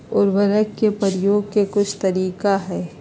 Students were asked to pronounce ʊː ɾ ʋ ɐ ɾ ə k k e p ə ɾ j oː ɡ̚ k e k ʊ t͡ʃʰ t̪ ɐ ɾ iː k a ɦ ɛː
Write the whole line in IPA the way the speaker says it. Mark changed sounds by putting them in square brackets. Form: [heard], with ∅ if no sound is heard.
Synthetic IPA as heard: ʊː ɾ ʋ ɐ ɾ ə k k e p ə ɾ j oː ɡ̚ k e k ʊ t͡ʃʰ t̪ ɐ ɾ iː k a ɦ ɛː